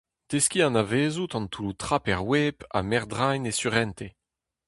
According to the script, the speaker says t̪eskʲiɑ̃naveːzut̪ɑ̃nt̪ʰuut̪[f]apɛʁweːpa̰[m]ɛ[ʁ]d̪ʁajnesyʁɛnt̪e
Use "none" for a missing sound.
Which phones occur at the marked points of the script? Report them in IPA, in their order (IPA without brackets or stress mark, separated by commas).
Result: χ, m, ʁ